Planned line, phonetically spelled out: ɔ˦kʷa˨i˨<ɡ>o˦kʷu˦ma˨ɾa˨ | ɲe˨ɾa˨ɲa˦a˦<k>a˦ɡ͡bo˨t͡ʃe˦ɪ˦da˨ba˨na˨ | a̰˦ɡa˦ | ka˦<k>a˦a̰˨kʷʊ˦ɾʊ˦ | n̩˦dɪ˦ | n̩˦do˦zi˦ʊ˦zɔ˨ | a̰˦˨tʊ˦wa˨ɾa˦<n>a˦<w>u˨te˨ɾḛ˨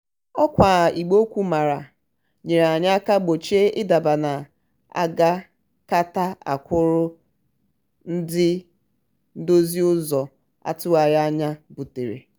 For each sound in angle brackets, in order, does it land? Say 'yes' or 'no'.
no, yes, no, no, no

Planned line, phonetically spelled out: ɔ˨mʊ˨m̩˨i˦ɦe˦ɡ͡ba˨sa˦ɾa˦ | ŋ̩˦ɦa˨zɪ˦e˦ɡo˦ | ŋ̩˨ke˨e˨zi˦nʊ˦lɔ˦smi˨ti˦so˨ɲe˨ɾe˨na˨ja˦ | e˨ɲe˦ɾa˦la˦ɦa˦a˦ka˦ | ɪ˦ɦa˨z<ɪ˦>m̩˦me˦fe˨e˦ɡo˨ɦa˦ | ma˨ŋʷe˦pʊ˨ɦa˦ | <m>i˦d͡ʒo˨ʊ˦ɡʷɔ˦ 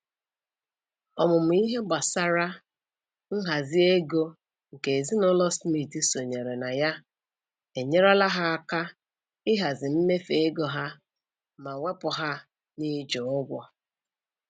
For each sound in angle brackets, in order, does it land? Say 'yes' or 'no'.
no, no

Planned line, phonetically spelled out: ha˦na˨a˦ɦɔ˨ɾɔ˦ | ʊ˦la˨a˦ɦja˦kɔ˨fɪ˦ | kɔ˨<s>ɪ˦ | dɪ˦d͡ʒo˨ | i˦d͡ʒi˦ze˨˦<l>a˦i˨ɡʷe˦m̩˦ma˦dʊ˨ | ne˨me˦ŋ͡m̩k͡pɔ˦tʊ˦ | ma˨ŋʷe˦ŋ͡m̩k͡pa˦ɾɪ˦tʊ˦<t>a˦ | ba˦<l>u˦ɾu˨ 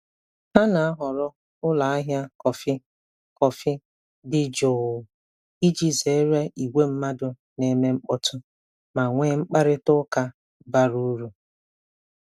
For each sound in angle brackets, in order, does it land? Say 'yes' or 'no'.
no, no, no, no

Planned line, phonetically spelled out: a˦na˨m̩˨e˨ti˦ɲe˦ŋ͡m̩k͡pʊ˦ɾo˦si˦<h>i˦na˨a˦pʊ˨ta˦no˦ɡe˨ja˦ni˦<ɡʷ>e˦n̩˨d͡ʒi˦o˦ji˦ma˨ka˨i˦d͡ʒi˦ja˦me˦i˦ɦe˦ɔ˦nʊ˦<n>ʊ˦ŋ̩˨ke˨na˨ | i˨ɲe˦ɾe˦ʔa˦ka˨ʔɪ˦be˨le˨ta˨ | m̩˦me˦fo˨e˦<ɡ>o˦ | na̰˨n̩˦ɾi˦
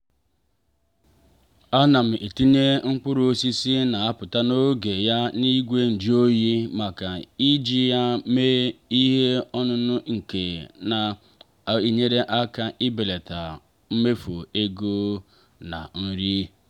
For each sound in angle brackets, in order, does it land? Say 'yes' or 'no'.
no, yes, yes, yes

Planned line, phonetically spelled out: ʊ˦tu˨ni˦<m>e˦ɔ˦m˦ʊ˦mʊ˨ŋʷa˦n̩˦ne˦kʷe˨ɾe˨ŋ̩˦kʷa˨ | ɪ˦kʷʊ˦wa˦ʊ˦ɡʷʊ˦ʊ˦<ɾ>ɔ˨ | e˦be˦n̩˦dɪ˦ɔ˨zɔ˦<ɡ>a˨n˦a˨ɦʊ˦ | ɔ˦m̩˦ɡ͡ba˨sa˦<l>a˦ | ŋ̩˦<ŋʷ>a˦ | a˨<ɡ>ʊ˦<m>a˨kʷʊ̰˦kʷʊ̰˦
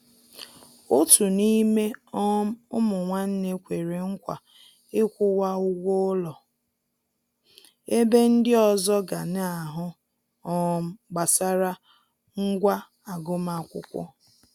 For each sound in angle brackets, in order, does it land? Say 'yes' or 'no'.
yes, no, yes, no, no, yes, yes

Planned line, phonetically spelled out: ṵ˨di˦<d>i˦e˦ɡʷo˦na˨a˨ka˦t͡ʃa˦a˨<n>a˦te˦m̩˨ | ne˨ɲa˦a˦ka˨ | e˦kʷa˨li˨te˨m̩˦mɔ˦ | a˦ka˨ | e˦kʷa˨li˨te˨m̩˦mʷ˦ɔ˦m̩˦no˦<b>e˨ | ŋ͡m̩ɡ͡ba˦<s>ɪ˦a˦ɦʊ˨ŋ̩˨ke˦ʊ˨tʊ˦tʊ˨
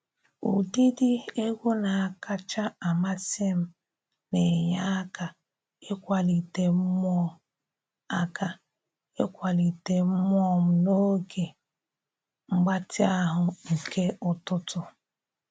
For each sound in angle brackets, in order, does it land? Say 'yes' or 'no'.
yes, no, no, no

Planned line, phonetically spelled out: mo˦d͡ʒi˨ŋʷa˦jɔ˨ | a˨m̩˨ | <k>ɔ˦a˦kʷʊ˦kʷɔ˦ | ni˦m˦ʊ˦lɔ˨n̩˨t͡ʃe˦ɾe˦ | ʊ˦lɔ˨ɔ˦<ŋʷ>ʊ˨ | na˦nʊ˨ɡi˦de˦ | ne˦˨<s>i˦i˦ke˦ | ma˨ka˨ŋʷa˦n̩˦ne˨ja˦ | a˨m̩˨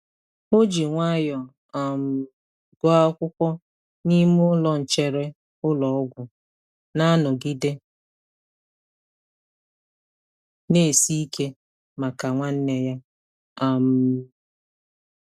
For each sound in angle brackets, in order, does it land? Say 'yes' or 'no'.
no, no, yes

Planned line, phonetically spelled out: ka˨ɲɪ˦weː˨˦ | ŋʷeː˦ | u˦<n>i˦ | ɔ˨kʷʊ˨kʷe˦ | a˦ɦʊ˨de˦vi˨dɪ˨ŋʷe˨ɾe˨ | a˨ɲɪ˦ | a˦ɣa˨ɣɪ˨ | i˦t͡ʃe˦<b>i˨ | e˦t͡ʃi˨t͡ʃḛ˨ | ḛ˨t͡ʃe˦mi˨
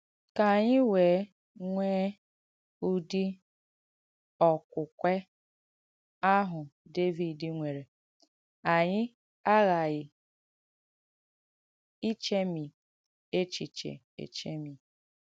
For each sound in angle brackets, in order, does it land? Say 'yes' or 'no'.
no, no

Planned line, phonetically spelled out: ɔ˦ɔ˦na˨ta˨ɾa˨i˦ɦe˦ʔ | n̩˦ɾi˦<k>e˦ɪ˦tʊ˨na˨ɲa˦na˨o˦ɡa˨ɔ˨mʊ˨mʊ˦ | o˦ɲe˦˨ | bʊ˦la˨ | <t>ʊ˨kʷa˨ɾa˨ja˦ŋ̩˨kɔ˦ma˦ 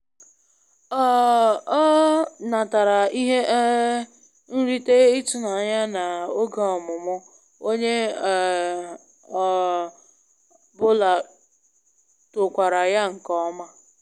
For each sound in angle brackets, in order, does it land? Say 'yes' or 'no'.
no, yes

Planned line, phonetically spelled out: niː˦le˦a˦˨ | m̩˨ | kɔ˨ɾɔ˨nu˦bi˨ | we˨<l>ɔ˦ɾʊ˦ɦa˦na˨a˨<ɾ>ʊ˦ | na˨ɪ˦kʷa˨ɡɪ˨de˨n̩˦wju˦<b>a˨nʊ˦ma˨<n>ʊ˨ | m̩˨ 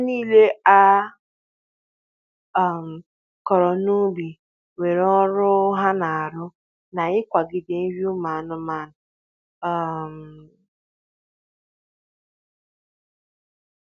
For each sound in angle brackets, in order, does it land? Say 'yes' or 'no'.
no, yes, no, yes

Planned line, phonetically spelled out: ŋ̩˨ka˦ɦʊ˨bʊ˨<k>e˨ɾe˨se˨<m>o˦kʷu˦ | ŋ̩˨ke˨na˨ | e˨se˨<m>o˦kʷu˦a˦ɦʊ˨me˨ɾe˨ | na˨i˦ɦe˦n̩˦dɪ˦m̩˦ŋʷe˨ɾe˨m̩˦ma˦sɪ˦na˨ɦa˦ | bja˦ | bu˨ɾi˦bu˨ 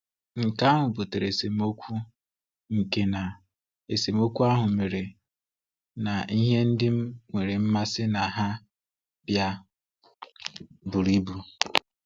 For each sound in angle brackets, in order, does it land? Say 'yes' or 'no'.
no, yes, yes

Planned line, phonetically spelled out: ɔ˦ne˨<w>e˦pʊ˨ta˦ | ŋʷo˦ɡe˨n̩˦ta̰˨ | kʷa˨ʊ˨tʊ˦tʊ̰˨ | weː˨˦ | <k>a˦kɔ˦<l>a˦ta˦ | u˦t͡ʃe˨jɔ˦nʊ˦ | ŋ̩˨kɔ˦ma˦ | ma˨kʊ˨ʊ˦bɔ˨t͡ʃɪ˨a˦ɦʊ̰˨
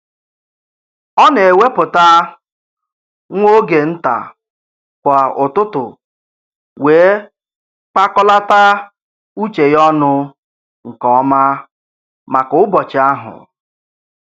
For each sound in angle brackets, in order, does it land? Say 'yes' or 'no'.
yes, no, yes

